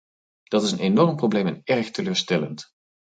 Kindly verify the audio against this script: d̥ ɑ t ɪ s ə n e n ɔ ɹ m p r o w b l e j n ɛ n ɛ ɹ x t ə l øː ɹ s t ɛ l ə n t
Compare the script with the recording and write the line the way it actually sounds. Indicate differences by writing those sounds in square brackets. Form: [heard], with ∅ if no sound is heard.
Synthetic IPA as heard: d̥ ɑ t ɪ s ə n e n ɔ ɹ m p r o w b l e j [m] ɛ n ɛ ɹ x t ə l øː ɹ s t ɛ l ə n t

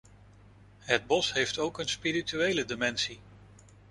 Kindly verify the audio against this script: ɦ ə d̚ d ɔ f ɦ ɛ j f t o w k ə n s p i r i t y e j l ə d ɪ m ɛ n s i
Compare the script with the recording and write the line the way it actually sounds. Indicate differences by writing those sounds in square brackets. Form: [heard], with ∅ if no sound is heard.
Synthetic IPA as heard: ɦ ə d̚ [b] ɔ [s] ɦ [e] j f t o w k ə n s p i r i t y e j l ə d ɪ m ɛ n s i

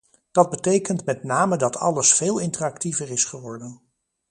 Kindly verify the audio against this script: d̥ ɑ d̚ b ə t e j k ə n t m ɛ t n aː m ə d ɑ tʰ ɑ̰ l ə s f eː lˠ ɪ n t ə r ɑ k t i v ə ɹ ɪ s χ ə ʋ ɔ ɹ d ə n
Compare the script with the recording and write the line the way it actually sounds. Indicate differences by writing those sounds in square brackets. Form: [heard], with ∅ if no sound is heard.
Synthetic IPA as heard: d̥ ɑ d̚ b ə t e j k ə n t m ɛ t n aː m ə d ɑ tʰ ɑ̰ l ə s f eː lˠ ɪ n t ə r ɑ k t i v ə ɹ ɪ s χ ə ʋ ɔ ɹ d ə n

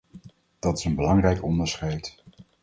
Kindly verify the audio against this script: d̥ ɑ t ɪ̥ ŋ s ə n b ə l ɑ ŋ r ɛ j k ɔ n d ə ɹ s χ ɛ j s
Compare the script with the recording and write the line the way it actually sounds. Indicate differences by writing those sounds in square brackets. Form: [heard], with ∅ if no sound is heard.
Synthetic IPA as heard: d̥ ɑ t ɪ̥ [∅] s ə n b ə l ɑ ŋ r ɛ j k ɔ n d ə ɹ s χ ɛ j [t]

